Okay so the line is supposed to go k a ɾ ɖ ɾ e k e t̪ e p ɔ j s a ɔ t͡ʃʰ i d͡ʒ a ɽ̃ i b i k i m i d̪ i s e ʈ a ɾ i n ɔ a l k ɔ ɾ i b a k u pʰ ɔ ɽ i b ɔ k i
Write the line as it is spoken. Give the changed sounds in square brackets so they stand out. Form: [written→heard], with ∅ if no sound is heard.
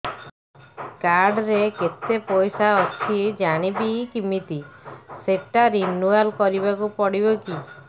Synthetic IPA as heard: k a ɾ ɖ ɾ e k e t̪ e p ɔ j s a ɔ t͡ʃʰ i d͡ʒ a ɽ̃ i b i k i m i [d̪→t̪] i s e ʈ a ɾ i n [ɔ→u] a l k ɔ ɾ i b a k u [pʰ→p] ɔ ɽ i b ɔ k i